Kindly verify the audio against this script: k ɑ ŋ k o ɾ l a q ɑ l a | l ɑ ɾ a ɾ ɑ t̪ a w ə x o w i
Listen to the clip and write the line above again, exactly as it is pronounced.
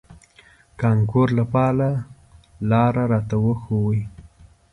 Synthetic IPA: k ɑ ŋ k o ɾ l a p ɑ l a | l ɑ ɾ a ɾ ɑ t̪ a w ə x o w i